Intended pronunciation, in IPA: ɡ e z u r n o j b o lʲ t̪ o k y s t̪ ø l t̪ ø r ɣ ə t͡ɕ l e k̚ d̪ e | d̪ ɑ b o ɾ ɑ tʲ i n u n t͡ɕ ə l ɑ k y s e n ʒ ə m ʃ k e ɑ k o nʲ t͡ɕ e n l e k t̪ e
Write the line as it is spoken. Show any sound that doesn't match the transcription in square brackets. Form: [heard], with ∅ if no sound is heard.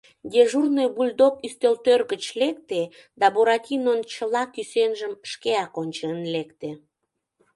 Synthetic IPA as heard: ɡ e [ʒ] u r n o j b [u] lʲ [d̪] o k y s t̪ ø l t̪ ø r ɣ ə t͡ɕ l e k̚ [t̪] e | d̪ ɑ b o ɾ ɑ tʲ i n [o] n t͡ɕ ə l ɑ k y s e n ʒ ə m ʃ k e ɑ k o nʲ t͡ɕ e n l e k t̪ e